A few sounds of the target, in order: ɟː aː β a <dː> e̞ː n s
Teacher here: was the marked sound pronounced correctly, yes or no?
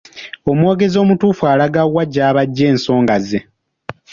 no